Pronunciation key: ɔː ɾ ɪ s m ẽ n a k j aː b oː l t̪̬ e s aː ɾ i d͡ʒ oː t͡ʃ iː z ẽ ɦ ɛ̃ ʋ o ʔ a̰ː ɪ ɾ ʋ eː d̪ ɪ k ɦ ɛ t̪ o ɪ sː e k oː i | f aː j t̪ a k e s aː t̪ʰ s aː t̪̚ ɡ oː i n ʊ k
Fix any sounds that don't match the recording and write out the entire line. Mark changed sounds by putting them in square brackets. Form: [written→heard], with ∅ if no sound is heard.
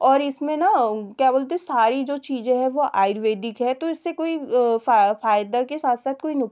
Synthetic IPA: ɔː ɾ ɪ s m ẽ n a k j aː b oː l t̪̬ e s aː ɾ i d͡ʒ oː t͡ʃ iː z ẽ ɦ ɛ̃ ʋ o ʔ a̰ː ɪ ɾ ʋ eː d̪ ɪ k ɦ ɛ t̪ o ɪ sː e k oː i | f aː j [t̪→d̪] a k e s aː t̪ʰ s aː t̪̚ [ɡ→k] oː i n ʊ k

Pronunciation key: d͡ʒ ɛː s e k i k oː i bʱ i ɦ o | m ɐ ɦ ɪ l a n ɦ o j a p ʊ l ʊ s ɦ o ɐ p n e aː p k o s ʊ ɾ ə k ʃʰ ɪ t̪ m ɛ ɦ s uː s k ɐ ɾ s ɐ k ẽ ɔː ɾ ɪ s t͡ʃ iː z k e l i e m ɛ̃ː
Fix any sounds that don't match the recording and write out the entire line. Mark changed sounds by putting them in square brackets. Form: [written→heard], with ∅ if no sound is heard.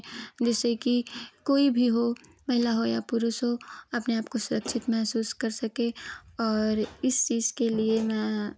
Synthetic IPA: d͡ʒ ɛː s e k i k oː i bʱ i ɦ o | m ɐ ɦ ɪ l a [n→∅] ɦ o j a p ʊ [l→ɾ] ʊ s ɦ o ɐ p n e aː p k o s ʊ ɾ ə k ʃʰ ɪ t̪ m ɛ ɦ s uː s k ɐ ɾ s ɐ k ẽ ɔː ɾ ɪ s t͡ʃ iː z k e l i e m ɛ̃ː

